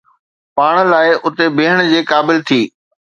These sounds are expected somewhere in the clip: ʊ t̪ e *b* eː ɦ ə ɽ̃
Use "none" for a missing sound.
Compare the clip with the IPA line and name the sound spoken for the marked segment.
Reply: b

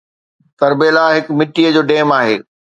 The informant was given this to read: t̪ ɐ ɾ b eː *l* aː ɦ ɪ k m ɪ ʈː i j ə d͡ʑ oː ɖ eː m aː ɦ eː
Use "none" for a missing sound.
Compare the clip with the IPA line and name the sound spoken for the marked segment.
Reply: l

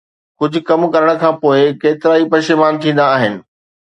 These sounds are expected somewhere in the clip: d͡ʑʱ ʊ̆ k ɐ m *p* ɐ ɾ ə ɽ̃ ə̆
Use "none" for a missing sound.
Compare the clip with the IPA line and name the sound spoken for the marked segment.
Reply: k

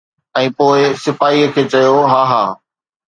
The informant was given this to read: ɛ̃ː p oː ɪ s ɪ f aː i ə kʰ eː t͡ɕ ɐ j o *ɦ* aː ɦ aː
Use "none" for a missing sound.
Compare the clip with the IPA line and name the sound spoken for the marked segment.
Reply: ɦ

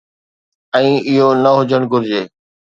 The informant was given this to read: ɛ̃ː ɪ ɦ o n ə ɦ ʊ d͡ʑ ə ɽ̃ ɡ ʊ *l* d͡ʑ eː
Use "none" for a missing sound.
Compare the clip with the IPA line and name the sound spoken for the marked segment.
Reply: ɾ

